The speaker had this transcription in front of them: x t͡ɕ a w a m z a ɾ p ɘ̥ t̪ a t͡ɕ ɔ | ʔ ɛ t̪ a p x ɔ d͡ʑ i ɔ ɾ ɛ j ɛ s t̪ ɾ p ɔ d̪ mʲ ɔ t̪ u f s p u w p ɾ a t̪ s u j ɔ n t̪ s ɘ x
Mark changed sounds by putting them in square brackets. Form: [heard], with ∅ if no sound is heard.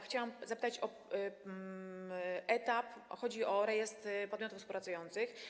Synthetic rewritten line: x t͡ɕ a w a m z a [∅] p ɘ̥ t̪ a t͡ɕ ɔ | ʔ ɛ t̪ a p x ɔ d͡ʑ i ɔ ɾ ɛ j ɛ s t̪ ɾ p ɔ d̪ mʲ ɔ t̪ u f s p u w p ɾ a t̪ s u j ɔ n t̪ s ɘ x